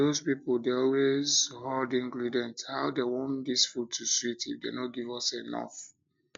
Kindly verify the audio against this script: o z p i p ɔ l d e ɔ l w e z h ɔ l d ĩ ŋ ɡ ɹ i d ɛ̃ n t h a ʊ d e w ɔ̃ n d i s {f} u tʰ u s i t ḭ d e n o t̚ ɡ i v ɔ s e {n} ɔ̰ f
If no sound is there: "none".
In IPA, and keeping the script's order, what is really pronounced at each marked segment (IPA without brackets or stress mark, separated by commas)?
f, n